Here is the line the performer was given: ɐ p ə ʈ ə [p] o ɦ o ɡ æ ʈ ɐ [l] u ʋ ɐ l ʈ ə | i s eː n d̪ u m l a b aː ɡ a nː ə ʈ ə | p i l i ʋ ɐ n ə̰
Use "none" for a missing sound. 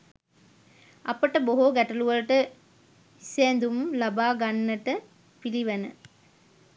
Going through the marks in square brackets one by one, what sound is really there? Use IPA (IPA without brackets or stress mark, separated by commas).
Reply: b, l